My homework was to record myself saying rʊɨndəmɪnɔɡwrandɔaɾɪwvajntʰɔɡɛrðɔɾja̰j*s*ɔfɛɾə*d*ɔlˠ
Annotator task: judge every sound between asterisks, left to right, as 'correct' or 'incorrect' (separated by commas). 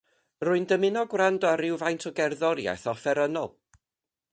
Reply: incorrect, incorrect